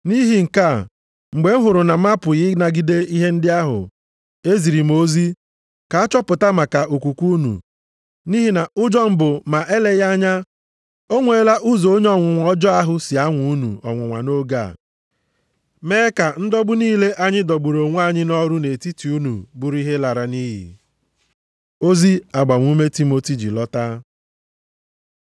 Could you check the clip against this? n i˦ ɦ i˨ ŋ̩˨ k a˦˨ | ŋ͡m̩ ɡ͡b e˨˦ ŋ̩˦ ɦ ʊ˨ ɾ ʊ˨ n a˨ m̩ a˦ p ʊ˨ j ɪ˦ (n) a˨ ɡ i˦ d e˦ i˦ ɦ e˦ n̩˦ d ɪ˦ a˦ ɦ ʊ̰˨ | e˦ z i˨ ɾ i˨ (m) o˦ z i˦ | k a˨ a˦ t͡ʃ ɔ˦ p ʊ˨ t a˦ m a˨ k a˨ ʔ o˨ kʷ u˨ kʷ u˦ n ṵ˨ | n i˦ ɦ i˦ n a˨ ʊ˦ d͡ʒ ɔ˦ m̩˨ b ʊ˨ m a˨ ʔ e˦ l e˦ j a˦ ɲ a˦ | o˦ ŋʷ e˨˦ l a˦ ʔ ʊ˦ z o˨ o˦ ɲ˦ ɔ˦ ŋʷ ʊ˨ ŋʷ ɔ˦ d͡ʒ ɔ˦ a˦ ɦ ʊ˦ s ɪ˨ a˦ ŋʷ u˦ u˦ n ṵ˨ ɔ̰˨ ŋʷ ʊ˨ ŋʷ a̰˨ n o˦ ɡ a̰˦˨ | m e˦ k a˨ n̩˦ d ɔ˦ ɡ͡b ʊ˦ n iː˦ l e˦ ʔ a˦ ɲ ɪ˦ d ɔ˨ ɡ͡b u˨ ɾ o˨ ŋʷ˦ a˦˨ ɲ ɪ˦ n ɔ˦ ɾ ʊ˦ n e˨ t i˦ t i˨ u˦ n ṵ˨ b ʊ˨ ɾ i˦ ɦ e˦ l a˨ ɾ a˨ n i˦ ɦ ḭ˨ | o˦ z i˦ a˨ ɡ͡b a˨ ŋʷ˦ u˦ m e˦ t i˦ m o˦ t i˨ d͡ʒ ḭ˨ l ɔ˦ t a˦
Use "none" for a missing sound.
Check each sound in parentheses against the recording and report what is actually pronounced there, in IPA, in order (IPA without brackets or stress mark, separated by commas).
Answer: n, m